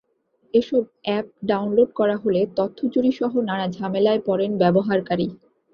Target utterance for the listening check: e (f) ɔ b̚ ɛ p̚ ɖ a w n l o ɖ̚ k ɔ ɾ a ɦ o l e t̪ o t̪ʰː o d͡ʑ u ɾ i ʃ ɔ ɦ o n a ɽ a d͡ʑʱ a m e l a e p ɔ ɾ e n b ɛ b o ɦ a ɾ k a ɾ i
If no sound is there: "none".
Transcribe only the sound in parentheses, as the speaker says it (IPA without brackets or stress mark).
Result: ʃ